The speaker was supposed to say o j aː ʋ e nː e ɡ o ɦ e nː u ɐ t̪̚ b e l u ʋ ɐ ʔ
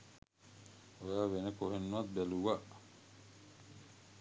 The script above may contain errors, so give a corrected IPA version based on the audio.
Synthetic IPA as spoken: o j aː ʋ e n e k o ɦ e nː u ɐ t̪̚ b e l u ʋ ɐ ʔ